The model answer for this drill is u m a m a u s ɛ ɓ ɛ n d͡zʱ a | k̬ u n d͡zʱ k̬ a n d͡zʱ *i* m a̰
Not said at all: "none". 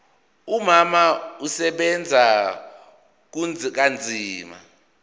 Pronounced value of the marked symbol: iː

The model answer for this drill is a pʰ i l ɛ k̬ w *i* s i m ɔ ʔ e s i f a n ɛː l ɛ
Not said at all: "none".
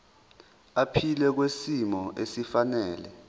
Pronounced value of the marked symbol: e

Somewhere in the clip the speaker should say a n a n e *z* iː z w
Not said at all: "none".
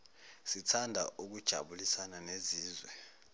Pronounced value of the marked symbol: z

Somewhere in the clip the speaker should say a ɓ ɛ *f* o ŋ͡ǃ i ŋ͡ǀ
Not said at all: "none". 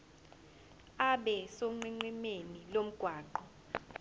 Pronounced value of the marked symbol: s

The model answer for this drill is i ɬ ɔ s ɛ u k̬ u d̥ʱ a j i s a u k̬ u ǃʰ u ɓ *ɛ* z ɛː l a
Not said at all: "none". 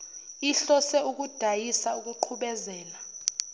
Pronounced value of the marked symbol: ɛ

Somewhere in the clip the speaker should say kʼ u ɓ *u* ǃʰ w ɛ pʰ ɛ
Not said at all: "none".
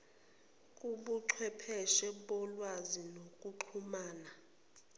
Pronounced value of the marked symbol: u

